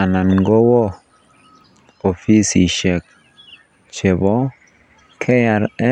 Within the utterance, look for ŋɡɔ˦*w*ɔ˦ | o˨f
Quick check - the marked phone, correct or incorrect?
correct